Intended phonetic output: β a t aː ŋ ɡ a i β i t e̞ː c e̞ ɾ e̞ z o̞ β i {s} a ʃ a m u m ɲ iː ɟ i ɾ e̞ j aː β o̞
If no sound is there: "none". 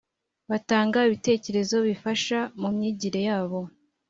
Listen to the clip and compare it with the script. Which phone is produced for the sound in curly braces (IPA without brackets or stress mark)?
f